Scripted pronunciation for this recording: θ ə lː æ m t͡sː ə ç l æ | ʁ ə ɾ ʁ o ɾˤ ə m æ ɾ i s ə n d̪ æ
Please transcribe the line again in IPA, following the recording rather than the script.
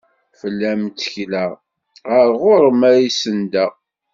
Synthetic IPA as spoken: f ə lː æ m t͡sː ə ç l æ | ʁ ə ɾ ʁ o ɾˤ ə m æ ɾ i s ə n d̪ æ